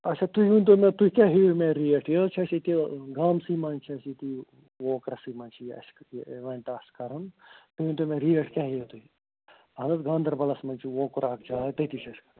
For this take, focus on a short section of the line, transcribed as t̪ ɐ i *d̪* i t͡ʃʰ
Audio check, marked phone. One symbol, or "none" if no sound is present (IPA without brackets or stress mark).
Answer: t̪